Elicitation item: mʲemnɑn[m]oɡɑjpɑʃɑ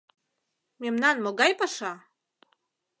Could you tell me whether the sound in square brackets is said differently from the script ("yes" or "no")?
no